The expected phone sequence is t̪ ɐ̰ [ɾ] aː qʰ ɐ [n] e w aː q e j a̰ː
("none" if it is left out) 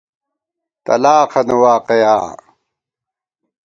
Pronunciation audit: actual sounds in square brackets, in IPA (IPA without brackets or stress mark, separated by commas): l, n